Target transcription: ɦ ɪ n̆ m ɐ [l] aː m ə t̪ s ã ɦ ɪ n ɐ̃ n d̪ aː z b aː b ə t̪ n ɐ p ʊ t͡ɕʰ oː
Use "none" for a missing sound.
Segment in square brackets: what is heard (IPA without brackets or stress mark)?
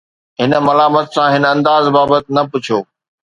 l